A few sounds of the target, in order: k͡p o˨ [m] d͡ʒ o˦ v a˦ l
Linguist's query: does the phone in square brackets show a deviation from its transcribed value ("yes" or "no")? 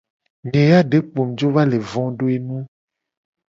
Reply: no